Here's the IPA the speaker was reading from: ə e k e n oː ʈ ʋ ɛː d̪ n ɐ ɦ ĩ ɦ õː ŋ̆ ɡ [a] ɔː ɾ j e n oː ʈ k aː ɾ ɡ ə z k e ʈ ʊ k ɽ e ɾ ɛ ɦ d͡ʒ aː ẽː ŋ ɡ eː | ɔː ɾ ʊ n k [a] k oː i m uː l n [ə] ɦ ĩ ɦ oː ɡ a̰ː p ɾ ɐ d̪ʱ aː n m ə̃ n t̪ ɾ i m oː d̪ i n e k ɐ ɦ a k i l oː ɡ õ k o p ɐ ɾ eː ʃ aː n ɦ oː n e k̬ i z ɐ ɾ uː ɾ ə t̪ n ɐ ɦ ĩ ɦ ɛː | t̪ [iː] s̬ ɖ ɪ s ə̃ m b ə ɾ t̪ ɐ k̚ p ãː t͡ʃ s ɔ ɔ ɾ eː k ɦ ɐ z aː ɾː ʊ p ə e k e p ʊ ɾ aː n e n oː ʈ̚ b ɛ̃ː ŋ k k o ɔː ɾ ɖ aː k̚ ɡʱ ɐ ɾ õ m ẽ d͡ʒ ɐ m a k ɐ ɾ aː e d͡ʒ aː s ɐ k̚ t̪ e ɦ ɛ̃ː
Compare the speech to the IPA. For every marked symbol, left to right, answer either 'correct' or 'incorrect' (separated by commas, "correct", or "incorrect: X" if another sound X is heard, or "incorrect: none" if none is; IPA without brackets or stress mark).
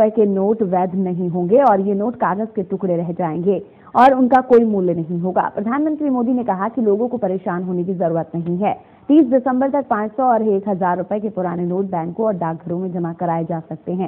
incorrect: e, correct, incorrect: ɐ, correct